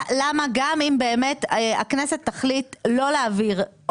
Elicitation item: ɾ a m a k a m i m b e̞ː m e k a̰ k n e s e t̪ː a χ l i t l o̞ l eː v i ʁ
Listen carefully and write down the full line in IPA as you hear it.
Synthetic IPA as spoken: l a m a ɡ a m i m b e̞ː m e t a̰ k n e s e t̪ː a χ l i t l o̞ l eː v i ʁ